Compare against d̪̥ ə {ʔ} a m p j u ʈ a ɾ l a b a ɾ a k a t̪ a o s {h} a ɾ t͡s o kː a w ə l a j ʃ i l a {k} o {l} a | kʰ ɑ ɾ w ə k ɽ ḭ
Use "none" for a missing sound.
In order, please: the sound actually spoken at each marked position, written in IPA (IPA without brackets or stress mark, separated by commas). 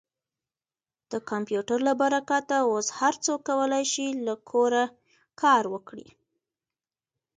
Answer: k, h, kʰ, ɾ